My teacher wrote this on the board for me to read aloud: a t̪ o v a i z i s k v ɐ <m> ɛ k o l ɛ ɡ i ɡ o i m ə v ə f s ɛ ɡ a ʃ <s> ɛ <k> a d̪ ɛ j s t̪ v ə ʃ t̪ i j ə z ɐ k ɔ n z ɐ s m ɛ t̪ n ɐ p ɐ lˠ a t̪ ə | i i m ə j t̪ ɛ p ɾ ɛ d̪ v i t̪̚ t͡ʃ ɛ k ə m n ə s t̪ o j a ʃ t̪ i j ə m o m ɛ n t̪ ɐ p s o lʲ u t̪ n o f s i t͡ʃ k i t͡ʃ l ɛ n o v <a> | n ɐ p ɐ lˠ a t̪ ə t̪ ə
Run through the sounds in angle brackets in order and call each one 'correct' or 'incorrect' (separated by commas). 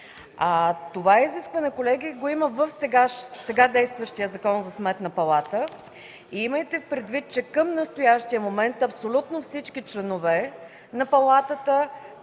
incorrect, correct, incorrect, incorrect